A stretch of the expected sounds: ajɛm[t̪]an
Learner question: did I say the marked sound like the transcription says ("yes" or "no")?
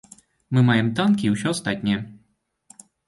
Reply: yes